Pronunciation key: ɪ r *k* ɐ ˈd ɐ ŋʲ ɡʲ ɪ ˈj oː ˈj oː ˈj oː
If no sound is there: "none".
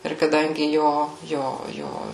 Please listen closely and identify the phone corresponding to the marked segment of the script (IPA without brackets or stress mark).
k